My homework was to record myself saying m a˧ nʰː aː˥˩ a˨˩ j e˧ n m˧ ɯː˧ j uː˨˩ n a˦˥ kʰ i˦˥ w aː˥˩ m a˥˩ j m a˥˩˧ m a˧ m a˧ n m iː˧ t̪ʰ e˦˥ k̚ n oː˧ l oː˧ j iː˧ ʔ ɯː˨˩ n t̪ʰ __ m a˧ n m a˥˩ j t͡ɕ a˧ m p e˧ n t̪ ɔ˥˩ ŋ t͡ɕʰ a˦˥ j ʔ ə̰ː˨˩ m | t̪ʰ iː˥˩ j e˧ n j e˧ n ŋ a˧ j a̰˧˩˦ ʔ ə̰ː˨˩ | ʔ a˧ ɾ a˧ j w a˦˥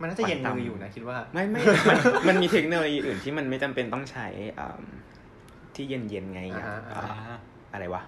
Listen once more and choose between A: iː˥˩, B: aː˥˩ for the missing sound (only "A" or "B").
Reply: A